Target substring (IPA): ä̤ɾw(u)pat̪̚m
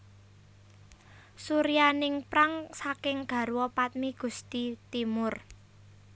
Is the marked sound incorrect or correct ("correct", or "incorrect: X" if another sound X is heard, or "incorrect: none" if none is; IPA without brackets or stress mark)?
incorrect: ɔ